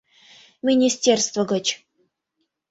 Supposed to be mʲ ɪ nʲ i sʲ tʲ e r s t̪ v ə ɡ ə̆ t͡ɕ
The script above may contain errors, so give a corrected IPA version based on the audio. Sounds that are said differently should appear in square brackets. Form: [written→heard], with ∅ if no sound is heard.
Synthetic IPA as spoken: mʲ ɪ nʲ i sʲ tʲ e r s t̪ v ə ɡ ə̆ t͡ɕ